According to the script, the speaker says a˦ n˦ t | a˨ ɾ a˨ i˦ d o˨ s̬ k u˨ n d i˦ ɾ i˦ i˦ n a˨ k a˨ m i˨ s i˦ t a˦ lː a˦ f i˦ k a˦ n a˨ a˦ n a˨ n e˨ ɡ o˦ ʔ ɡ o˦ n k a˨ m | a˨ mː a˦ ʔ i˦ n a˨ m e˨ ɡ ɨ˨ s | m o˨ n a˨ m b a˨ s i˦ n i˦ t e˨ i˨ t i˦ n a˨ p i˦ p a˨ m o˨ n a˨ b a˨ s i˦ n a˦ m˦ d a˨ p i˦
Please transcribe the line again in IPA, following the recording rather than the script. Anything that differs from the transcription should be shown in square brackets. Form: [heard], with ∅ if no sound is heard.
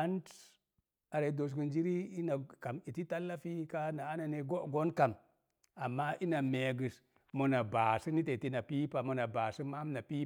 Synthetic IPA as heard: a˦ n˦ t | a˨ ɾ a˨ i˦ d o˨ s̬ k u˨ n [d͡ʒ] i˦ ɾ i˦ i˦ n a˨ k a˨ m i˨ [t] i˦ t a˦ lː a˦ f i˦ k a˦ n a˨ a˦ n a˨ n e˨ ɡ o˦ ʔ ɡ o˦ n k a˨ m | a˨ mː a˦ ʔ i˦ n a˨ m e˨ ɡ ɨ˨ s | m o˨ n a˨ [∅] b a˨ s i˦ n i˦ t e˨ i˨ t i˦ n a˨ p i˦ p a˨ m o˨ n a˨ b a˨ s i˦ [m] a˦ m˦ [n] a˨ p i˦